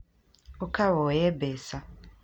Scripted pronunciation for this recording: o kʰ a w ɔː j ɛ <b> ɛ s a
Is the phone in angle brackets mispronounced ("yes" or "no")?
no